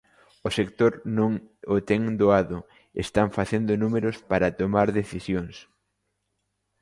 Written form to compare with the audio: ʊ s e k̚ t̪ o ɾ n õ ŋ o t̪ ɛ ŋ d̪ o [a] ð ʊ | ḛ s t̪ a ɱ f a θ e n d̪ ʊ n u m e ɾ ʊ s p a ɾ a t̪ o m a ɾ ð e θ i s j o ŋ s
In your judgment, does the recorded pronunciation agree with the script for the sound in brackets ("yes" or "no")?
yes